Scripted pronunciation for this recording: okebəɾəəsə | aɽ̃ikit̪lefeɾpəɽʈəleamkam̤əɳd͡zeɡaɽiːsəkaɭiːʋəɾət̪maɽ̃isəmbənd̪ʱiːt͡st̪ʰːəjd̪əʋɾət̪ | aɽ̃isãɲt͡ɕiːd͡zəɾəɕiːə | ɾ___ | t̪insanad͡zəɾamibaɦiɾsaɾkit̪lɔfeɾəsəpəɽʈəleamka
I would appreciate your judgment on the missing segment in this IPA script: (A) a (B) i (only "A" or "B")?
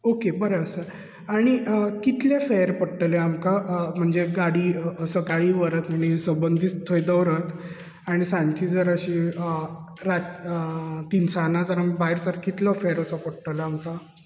A